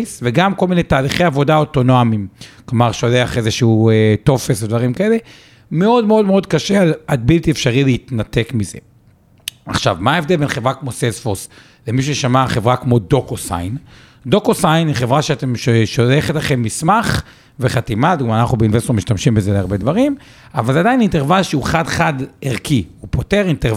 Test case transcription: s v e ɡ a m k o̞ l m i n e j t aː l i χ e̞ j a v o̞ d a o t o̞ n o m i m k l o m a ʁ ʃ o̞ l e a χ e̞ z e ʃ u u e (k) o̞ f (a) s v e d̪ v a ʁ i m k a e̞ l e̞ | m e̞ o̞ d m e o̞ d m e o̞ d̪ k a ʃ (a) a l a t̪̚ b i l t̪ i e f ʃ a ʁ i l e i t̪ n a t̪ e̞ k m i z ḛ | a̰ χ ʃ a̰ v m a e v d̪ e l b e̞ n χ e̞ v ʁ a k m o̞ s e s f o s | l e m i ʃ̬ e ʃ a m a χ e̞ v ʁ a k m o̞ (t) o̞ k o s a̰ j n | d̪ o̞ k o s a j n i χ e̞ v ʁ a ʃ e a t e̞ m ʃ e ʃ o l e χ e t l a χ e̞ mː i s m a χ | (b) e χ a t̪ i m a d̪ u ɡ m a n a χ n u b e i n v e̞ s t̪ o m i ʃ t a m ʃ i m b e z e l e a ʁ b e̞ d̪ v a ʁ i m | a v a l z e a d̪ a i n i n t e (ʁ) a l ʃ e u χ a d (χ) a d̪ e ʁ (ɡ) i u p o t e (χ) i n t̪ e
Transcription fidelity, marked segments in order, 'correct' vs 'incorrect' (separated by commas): incorrect, incorrect, incorrect, incorrect, incorrect, incorrect, correct, incorrect, incorrect